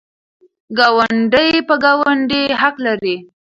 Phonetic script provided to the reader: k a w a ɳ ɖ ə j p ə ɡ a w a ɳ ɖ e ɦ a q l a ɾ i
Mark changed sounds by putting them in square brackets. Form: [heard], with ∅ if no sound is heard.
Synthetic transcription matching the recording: [ɡ] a w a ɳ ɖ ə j p ə ɡ a w a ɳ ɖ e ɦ a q l a ɾ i